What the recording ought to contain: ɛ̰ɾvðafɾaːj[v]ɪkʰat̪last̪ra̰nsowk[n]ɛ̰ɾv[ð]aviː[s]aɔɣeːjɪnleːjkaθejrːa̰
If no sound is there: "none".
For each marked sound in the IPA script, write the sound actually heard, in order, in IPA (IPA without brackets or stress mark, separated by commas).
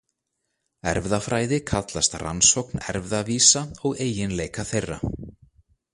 ð, n, ð, s